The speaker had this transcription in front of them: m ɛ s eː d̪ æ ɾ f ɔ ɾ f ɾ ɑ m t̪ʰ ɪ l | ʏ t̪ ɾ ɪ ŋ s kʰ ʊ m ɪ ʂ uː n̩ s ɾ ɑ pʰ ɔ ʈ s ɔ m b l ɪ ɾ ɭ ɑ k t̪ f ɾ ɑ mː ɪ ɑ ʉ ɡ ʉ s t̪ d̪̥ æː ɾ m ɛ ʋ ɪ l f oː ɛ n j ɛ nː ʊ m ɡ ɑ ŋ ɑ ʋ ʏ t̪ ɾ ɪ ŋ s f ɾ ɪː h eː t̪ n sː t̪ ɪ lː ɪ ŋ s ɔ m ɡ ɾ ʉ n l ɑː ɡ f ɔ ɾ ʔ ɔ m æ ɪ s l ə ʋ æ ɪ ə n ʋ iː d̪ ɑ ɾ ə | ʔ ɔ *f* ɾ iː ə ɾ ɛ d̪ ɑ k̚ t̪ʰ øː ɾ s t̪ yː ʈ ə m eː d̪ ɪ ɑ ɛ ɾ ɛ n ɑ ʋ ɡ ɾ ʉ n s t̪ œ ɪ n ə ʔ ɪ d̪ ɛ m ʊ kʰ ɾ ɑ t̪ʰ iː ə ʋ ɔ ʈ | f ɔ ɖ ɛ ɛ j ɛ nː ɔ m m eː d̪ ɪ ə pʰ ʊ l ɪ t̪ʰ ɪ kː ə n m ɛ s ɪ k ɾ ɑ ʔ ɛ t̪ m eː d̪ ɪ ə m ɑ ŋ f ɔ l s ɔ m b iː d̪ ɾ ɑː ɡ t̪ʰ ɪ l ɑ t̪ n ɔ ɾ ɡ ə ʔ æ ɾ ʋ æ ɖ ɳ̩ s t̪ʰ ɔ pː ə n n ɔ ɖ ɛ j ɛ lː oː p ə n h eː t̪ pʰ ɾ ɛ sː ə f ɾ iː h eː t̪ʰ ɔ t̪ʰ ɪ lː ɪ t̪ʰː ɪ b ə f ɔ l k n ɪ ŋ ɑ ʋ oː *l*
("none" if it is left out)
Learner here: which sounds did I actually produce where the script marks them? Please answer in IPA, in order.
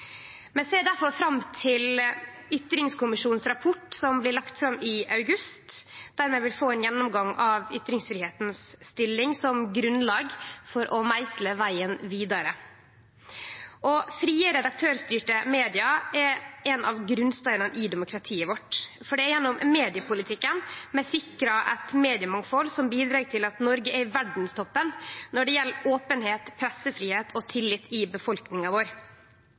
f, ɾ

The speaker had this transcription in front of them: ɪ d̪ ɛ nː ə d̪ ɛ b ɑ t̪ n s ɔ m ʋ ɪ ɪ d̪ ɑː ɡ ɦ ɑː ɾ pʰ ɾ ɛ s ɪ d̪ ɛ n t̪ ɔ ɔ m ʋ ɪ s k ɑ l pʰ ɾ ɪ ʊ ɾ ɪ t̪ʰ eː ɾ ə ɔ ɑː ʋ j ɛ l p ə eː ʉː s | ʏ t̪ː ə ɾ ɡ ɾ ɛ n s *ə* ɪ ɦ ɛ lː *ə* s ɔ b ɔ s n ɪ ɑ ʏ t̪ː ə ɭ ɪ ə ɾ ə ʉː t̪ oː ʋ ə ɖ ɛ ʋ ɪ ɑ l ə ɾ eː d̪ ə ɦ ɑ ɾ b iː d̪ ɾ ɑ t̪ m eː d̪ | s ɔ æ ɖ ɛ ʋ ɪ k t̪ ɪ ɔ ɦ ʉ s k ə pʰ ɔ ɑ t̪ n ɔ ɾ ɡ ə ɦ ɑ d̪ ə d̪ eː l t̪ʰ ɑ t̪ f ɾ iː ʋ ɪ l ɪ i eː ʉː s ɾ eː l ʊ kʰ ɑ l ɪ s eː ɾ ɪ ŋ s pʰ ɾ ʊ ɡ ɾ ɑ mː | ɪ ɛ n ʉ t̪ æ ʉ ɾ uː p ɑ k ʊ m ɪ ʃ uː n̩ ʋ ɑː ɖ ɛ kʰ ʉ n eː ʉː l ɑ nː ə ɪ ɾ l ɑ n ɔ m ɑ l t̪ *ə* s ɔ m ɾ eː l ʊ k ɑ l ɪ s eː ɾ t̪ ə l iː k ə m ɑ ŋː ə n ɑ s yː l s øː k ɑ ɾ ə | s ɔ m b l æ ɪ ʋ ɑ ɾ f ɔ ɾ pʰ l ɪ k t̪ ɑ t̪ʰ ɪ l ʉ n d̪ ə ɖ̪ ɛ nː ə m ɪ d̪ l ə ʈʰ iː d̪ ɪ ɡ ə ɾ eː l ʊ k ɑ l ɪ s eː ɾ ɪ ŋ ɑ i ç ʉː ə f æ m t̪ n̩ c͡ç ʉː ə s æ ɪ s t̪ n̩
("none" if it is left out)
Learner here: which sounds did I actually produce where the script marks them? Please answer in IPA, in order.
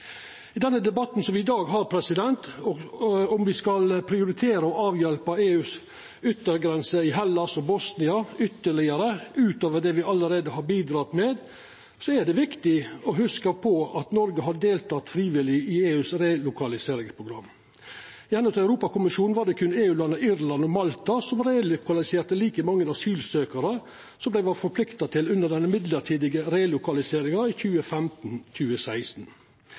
ə, ɑ, ɑ

